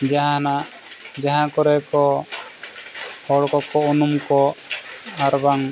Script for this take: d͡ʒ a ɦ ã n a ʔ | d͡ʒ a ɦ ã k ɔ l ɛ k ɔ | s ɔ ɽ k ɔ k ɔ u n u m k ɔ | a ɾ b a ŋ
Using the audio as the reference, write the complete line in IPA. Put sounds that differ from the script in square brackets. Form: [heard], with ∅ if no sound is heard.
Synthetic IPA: d͡ʒ a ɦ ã n a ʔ | d͡ʒ a ɦ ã k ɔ [ɾ] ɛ k ɔ | [h] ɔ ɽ k ɔ k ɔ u n u m k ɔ | a ɾ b a ŋ